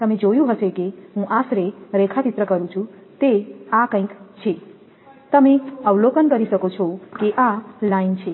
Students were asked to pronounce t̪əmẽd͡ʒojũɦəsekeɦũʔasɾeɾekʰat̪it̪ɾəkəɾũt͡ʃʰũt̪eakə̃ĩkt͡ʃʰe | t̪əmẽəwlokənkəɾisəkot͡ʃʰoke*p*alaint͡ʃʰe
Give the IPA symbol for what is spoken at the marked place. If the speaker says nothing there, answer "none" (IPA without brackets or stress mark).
ʔ